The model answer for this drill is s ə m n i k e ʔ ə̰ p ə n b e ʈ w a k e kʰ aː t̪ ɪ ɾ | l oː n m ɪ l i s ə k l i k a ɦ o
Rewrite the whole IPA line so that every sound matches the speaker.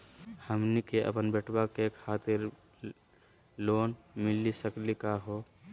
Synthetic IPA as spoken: h ə m n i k e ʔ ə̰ p ə n b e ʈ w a k e kʰ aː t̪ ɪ ɾ | l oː n m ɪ l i s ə k l i k a ɦ o